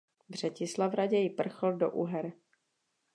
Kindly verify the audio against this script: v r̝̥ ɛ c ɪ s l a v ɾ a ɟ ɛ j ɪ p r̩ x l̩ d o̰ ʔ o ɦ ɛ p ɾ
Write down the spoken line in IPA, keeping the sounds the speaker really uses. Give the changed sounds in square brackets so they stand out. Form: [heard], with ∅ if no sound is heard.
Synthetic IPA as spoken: v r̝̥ ɛ c ɪ s l a v ɾ a ɟ ɛ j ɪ p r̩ x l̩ d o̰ ʔ [u] ɦ ɛ [∅] ɾ